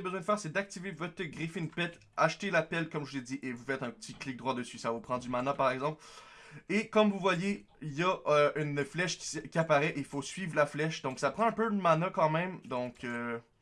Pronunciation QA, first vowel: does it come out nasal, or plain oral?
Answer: oral